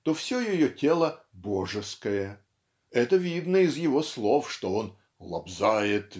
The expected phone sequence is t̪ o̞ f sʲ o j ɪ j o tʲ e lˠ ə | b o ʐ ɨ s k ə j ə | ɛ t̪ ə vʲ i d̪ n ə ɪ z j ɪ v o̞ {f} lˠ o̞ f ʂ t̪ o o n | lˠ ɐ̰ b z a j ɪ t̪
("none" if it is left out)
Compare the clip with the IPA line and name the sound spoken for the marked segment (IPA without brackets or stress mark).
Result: s